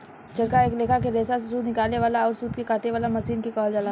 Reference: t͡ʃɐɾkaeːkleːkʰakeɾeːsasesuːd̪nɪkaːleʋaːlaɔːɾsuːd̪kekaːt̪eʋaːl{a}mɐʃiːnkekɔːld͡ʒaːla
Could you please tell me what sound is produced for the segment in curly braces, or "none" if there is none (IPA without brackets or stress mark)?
a